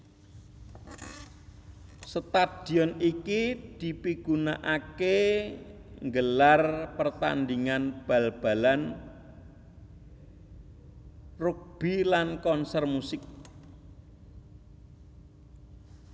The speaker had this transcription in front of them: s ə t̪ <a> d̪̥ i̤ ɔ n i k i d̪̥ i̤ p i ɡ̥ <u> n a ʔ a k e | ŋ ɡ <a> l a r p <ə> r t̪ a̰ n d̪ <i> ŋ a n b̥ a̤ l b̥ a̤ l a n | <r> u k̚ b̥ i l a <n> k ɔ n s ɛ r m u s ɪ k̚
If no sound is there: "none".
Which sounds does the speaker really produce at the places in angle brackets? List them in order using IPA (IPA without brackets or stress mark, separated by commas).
a, u, ə, ə, i, r, n